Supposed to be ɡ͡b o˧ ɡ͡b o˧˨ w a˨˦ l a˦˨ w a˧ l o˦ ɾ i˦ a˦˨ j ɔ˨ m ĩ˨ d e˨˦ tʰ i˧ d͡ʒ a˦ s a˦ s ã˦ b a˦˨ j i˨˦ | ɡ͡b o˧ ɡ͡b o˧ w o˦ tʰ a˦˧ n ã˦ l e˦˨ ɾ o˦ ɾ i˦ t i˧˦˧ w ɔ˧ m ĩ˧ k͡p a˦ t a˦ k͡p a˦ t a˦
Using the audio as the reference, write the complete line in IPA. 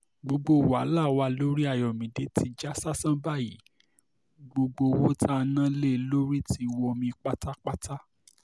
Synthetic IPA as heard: ɡ͡b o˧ ɡ͡b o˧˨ w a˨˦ l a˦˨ w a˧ l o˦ ɾ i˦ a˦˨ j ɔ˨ m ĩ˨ d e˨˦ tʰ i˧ d͡ʒ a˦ s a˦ s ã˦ b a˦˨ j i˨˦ | ɡ͡b o˧ ɡ͡b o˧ w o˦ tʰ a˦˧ n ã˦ l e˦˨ l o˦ ɾ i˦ t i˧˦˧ w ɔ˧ m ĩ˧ k͡p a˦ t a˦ k͡p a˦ t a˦